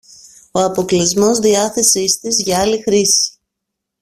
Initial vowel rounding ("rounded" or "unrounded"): rounded